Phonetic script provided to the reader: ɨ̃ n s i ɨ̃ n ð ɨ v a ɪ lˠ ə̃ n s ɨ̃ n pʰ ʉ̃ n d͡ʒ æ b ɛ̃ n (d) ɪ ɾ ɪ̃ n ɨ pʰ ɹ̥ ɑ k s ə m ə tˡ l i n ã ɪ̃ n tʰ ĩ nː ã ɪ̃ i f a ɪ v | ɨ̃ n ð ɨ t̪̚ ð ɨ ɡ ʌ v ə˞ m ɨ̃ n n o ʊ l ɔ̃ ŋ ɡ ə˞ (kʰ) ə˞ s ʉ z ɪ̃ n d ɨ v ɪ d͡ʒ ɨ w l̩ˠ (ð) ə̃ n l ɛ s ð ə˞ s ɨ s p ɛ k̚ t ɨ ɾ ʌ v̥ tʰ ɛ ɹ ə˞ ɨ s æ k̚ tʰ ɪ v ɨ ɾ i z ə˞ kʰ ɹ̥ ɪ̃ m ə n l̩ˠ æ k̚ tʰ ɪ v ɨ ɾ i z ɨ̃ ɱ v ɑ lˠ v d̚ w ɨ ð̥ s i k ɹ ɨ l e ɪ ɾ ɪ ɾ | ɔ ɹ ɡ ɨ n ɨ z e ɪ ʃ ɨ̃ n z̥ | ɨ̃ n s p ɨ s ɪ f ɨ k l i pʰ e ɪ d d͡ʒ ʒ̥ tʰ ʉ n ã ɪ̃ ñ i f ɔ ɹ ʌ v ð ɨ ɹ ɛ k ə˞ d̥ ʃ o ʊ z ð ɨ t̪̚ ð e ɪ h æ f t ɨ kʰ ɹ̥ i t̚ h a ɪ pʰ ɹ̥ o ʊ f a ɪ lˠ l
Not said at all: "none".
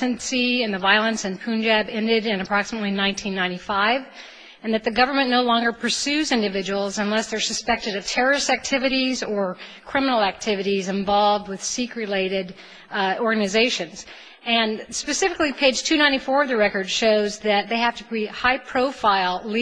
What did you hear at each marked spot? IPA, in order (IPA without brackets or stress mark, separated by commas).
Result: d, pʰ, z